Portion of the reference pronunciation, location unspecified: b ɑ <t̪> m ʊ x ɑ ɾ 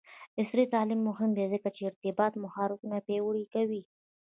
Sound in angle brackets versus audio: correct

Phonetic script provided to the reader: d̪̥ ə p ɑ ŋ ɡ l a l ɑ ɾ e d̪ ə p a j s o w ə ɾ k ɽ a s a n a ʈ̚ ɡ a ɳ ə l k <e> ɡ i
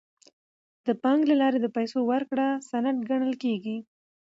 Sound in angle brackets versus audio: correct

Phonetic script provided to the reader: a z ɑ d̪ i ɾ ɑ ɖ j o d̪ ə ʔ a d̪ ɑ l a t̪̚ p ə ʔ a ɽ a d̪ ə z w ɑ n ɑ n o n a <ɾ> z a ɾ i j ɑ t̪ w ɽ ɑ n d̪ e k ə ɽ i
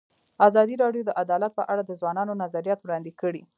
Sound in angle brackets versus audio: incorrect: none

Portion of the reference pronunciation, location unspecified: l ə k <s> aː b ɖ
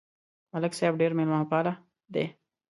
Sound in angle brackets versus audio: correct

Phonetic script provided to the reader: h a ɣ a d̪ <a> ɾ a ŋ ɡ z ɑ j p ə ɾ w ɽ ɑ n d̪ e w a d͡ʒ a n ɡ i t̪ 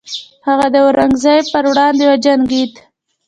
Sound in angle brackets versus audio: incorrect: ə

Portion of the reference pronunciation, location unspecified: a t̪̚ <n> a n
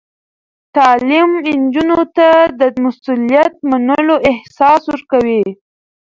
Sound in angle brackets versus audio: incorrect: m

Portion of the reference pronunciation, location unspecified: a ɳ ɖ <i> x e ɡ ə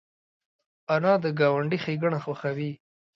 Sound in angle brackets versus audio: correct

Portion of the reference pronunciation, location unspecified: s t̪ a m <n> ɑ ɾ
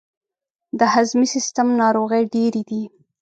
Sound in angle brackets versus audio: correct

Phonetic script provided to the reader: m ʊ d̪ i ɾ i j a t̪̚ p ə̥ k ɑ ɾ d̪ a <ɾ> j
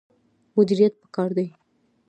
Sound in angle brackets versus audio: incorrect: none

